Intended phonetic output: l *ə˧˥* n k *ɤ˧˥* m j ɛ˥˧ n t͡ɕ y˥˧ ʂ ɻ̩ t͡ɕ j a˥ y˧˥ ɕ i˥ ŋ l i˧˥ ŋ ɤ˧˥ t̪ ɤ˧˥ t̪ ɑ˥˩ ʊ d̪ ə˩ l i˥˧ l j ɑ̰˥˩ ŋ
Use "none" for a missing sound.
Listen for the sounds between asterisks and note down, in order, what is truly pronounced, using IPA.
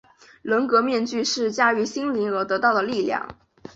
ə˧˥, ɤ˧˥

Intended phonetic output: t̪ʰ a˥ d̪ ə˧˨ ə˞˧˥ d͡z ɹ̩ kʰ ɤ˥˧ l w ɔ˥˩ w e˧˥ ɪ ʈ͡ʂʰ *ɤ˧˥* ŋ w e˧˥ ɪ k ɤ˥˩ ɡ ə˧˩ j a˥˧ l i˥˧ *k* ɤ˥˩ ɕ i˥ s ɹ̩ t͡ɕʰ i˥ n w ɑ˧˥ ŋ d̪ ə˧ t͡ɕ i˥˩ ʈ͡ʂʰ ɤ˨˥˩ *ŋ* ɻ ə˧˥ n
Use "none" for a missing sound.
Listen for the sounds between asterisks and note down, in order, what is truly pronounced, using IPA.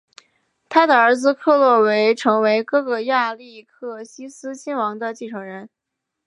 ɤ˧˥, kʰ, ŋ

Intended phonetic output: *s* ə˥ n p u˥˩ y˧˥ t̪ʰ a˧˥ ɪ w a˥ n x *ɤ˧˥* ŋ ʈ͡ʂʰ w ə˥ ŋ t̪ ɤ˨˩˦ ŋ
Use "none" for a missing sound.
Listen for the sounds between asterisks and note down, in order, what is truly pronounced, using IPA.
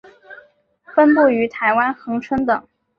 f, ɤ˧˥

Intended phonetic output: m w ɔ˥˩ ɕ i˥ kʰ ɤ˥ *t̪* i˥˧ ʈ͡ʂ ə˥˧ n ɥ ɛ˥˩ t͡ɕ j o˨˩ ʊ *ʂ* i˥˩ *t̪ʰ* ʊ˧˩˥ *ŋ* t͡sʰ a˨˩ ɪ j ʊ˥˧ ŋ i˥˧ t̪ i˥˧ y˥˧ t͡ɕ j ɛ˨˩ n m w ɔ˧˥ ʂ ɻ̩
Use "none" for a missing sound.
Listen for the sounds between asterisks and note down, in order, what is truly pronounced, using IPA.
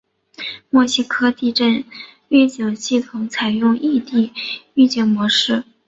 t̪, ɕ, t̪ʰ, ŋ

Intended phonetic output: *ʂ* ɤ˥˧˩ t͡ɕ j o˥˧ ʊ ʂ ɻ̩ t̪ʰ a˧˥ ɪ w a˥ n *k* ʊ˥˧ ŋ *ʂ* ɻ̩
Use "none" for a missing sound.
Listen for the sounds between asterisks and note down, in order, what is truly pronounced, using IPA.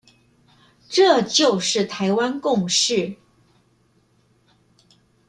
ʈ͡ʂ, k, ʂ

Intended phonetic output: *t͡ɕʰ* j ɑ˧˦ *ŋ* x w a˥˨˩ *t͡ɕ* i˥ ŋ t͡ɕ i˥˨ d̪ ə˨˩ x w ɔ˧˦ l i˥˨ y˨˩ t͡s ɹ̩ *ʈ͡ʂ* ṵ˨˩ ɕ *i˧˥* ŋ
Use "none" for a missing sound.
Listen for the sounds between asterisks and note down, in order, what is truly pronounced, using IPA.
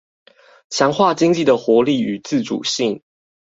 t͡ɕʰ, ŋ, t͡ɕ, ʈ͡ʂ, i˥˩

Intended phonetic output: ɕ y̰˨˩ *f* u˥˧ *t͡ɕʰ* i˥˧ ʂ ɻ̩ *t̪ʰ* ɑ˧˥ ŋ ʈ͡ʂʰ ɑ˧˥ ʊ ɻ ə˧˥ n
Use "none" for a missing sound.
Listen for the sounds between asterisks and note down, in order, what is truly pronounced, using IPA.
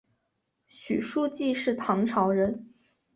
ʂ, t͡ɕ, t̪ʰ

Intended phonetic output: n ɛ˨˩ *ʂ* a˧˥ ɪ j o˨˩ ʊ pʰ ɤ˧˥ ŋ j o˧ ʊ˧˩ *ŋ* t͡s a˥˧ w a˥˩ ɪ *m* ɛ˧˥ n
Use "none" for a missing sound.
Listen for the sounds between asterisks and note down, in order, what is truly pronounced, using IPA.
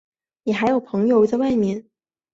x, none, m

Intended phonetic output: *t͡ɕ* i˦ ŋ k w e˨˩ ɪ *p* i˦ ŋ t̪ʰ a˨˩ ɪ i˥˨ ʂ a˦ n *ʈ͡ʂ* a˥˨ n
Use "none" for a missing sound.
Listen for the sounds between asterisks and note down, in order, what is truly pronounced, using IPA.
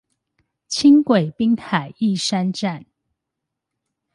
t͡ɕʰ, p, ʈ͡ʂ

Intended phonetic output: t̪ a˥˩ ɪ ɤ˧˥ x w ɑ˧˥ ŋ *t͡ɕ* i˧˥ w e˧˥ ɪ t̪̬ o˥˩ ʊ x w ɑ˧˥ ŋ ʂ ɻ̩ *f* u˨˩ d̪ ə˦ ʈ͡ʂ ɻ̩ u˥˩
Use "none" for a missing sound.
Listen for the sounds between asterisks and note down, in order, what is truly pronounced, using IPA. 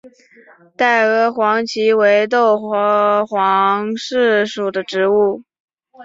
t͡ɕʰ, ʂ

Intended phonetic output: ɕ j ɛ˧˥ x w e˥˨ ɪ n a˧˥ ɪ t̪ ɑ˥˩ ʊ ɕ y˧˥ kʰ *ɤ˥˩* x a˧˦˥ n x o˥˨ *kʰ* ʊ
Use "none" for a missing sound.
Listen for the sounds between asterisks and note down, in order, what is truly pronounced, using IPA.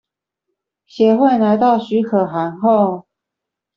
ɤ˨˩, none

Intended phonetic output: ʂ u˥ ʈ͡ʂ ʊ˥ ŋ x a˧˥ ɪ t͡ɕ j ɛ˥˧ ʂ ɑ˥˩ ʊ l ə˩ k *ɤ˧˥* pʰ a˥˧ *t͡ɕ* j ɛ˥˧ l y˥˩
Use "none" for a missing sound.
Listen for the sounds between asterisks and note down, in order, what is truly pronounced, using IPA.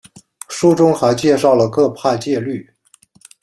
ɤ˥˧, t͡ɕ

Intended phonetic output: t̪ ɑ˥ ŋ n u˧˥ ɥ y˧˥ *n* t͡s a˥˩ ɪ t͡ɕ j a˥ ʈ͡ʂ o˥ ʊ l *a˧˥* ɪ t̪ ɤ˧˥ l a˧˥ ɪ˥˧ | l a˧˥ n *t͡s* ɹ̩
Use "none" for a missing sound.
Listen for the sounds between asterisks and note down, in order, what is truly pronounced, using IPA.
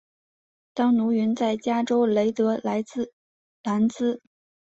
n, e˧˥, t͡s

